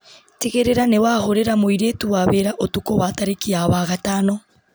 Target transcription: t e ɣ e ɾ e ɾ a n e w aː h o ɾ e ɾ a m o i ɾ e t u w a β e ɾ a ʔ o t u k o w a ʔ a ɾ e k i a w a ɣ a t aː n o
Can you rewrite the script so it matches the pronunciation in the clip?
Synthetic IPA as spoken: t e ɣ e ɾ e ɾ a n e w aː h o ɾ e ɾ a m o i ɾ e t u w a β e ɾ a ʔ o t u k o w a t a ɾ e k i a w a ɣ a t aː n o